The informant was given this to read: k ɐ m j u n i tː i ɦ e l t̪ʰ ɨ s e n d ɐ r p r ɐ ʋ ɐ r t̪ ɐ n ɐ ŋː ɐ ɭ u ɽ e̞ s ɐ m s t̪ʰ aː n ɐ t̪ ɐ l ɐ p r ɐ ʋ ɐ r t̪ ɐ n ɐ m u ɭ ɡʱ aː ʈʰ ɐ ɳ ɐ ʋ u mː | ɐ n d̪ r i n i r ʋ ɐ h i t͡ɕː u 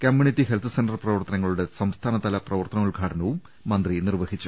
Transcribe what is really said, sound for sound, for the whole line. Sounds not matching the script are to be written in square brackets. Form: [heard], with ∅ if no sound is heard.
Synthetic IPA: k ɐ m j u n i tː i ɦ e l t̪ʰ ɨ s e n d ɐ r p r ɐ ʋ ɐ r t̪ ɐ n ɐ ŋː ɐ ɭ u ɽ e̞ s ɐ m s t̪ʰ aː n ɐ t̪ ɐ l ɐ p r ɐ ʋ ɐ r t̪ ɐ n ɐ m u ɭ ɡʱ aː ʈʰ ɐ [n] ɐ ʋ u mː | ɐ n d̪ r i n i r ʋ ɐ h i t͡ɕː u